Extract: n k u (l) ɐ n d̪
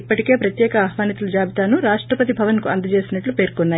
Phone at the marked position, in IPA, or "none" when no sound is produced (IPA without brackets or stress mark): none